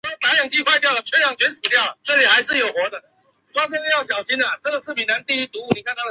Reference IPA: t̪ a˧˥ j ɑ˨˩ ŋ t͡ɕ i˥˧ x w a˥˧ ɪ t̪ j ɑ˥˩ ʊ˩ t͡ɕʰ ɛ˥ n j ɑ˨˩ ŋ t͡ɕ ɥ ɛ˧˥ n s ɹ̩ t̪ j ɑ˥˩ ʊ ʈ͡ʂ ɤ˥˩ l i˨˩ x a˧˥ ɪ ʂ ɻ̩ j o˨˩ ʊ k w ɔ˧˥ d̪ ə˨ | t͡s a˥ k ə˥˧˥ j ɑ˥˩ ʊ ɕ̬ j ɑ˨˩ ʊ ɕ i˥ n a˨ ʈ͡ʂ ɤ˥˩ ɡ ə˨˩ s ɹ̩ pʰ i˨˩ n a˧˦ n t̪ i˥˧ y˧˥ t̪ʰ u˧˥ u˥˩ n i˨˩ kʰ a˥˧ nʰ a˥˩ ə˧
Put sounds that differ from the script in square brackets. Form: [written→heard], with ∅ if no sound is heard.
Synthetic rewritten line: t̪ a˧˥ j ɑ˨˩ ŋ t͡ɕ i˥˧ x w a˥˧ ɪ t̪ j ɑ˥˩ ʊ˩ t͡ɕʰ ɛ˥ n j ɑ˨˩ ŋ t͡ɕ ɥ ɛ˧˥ n s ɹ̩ t̪ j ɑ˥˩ ʊ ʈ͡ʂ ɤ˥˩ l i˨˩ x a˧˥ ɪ ʂ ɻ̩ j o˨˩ ʊ [k→x] w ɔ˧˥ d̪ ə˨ | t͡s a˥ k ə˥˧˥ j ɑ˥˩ ʊ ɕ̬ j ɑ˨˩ ʊ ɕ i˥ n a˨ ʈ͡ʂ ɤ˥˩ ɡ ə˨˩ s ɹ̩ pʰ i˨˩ n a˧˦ n t̪ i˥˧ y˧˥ [t̪ʰ→t̪] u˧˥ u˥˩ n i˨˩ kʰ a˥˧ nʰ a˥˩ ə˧